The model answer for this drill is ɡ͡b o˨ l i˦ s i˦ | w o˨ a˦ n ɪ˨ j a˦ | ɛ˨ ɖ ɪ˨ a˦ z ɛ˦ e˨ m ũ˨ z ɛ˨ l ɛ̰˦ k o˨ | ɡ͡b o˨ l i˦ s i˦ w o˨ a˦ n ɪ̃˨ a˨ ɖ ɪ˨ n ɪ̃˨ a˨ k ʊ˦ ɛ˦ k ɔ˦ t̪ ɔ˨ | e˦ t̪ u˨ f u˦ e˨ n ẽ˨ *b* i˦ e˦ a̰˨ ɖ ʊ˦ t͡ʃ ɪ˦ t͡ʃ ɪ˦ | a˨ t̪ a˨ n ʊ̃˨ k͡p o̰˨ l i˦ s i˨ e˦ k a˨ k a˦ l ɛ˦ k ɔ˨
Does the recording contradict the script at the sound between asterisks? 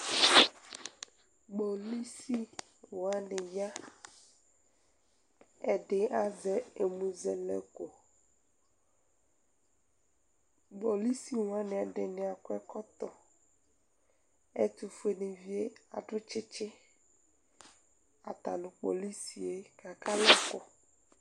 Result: yes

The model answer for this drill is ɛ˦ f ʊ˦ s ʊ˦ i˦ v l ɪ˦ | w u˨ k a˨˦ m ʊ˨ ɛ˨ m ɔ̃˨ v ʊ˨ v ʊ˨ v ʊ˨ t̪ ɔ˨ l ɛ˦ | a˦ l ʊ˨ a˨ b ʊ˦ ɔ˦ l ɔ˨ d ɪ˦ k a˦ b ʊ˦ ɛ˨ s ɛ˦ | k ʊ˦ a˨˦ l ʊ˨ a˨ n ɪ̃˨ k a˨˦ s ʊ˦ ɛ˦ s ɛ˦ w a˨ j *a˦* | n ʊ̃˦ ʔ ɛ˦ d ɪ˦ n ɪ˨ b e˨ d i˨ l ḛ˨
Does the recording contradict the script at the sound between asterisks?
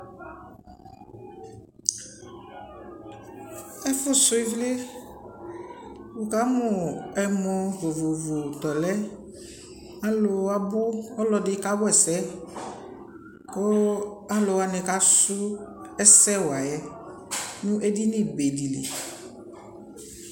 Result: yes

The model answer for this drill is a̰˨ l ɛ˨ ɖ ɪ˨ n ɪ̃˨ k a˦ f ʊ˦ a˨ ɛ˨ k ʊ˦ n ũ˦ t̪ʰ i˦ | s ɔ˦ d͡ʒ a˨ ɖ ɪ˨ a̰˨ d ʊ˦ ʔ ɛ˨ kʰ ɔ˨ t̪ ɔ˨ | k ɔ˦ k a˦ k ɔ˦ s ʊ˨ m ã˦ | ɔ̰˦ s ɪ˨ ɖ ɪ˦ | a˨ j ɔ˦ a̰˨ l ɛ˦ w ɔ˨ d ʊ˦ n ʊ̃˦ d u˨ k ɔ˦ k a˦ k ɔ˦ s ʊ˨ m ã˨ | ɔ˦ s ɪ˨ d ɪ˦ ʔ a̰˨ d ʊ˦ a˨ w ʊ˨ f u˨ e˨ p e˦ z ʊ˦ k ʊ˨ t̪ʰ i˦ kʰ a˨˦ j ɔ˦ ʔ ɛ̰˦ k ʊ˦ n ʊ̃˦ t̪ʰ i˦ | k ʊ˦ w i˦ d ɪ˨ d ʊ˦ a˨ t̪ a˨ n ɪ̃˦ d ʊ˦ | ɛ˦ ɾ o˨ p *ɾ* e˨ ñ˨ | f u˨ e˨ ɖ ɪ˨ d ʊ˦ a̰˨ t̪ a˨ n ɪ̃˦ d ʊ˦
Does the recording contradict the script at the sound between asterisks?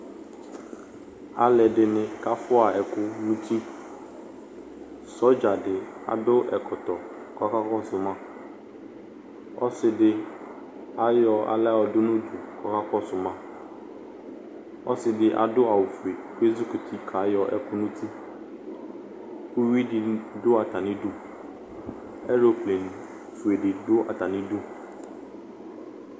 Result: yes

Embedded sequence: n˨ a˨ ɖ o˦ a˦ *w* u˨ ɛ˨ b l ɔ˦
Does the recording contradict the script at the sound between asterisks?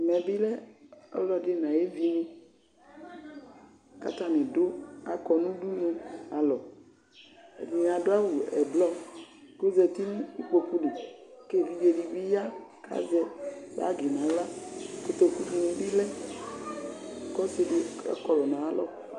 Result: no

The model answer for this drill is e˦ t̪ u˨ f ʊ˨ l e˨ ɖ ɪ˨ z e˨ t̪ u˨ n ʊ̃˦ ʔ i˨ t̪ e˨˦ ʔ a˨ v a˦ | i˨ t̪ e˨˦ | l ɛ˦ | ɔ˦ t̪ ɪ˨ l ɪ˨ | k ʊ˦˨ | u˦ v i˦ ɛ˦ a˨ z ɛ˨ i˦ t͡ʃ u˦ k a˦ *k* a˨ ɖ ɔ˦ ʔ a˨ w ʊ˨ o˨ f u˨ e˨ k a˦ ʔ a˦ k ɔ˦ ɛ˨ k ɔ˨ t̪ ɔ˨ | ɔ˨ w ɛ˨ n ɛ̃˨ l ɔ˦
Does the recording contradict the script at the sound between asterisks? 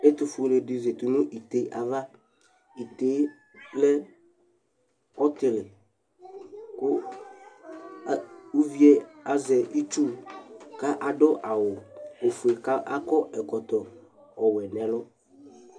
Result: yes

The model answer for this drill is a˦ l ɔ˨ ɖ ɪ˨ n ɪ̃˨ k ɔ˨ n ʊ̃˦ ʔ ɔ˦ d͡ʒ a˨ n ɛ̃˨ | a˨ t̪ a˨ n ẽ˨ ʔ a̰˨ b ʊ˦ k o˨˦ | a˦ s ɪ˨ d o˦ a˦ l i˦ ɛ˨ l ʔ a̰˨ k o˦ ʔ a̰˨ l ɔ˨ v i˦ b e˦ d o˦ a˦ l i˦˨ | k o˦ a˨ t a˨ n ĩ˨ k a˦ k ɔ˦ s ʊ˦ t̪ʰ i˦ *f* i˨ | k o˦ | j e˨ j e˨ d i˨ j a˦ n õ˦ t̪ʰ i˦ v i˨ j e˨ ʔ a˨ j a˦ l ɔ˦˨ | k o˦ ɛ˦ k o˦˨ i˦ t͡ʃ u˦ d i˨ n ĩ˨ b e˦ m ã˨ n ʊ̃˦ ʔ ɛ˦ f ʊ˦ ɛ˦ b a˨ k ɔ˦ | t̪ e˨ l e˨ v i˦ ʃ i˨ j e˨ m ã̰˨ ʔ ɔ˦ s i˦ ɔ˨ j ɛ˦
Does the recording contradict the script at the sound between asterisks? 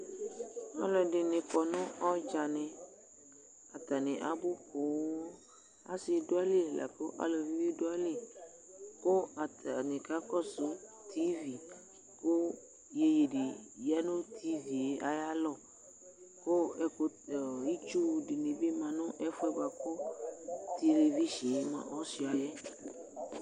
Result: yes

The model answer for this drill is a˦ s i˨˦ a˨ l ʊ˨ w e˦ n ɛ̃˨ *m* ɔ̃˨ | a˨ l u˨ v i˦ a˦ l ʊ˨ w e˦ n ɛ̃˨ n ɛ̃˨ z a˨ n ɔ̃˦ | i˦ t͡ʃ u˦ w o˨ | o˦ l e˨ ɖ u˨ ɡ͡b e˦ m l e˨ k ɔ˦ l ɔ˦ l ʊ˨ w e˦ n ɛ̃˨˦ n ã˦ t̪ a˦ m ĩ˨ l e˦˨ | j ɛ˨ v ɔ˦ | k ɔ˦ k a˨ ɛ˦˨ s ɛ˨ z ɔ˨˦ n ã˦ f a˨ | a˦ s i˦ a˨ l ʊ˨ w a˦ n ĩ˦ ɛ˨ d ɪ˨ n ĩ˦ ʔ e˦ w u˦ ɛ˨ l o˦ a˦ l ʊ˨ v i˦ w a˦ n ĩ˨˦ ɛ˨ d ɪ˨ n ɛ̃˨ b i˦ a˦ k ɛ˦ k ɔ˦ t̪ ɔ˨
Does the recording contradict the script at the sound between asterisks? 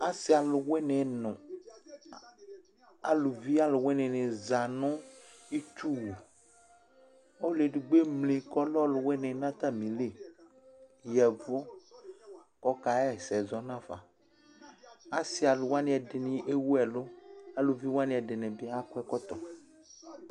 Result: yes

